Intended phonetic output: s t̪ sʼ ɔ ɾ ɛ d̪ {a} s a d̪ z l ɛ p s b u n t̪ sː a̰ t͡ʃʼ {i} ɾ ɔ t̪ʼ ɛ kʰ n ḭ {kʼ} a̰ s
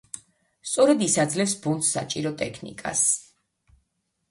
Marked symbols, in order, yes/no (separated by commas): no, yes, yes